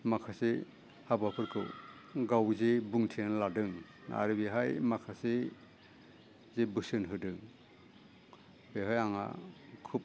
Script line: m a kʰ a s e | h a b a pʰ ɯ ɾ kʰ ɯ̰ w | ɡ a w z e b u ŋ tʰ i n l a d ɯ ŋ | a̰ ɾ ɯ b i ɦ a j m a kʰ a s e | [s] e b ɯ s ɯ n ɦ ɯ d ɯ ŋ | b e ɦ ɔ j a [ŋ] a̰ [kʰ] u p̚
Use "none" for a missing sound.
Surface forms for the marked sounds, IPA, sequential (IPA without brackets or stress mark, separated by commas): z, ŋ, kʰ